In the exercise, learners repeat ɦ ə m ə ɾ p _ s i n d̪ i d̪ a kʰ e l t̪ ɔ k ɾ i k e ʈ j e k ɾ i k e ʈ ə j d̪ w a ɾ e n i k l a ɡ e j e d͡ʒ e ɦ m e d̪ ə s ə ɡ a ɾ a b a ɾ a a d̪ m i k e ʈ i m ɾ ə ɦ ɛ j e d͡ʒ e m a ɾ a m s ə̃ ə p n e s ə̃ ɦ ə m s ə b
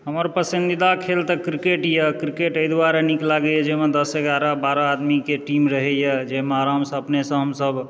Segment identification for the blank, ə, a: ə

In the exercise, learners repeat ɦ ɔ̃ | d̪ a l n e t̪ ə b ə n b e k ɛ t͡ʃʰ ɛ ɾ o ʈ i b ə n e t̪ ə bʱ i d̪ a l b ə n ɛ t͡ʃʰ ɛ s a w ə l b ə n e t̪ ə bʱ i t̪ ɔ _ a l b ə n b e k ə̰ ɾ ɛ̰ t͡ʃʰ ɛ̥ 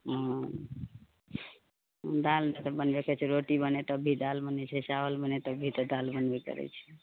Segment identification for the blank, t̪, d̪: d̪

